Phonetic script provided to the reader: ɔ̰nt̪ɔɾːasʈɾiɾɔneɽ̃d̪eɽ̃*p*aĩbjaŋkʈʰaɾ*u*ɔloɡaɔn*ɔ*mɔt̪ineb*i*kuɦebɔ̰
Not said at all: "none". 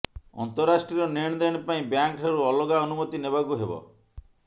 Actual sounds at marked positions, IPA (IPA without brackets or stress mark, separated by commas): p, u, u, a